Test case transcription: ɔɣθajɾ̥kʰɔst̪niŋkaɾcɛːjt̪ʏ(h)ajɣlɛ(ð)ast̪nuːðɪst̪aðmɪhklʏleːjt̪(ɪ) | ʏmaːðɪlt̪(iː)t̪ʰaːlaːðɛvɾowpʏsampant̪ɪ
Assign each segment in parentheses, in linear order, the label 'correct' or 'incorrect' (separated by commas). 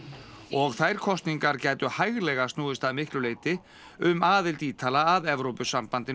correct, incorrect, correct, correct